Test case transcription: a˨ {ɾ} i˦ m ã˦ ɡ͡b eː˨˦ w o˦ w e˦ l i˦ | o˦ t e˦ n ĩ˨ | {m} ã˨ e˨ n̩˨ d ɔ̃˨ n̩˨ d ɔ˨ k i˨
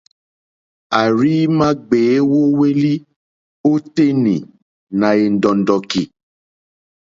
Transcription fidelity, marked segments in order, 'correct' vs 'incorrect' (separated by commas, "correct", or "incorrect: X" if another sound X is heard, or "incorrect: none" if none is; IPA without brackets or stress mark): correct, incorrect: n